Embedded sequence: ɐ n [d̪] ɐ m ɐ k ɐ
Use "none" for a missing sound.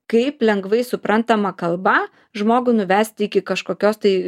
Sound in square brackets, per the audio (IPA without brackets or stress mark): t̪